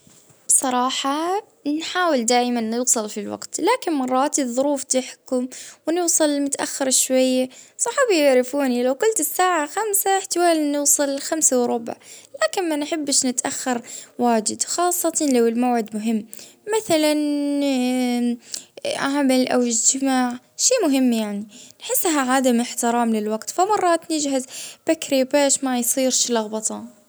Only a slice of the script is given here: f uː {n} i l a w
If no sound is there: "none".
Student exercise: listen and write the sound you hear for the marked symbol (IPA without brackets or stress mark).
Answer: n